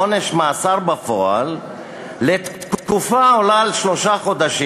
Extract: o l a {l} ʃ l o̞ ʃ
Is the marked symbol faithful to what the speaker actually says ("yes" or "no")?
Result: yes